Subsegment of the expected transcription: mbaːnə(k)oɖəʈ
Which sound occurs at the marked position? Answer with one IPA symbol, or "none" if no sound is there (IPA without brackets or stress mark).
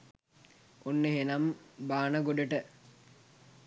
ɡ